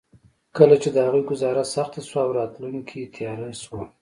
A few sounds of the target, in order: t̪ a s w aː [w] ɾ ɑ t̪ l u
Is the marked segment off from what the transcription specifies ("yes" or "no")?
no